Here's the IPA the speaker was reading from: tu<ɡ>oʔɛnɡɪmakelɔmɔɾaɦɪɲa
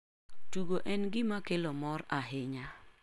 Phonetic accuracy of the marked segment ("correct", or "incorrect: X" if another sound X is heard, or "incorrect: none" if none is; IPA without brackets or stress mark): correct